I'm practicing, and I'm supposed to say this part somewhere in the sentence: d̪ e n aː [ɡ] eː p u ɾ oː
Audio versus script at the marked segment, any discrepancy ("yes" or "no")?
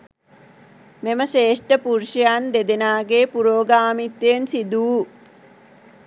no